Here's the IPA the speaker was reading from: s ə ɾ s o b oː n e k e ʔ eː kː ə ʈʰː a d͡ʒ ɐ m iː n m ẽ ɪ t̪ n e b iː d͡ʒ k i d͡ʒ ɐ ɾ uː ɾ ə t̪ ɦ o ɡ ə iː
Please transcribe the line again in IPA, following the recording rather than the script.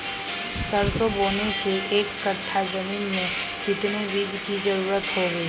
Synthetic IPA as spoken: s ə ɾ s o b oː n e k e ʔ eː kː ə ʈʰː a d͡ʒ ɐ m iː n m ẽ ɪ t̪ n e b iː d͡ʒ k i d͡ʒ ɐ ɾ uː ɾ ə t̪ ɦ o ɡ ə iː